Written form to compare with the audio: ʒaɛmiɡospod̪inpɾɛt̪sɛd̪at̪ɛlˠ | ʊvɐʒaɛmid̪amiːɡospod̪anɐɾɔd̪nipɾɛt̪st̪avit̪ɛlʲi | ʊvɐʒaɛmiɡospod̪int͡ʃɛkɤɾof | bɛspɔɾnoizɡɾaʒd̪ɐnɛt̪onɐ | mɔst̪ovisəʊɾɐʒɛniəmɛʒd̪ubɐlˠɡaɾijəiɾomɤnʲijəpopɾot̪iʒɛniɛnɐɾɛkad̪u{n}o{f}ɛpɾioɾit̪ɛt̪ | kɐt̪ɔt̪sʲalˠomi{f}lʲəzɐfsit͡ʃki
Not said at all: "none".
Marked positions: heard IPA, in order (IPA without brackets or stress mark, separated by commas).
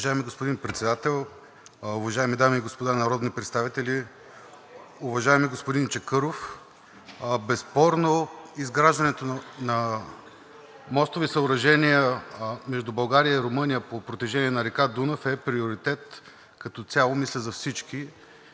n, f, s